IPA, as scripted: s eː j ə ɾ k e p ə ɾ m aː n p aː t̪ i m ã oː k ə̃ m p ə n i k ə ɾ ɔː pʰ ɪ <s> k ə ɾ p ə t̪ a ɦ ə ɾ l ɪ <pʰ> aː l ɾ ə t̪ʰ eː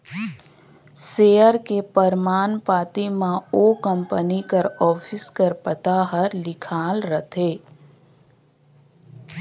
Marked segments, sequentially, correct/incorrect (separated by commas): correct, incorrect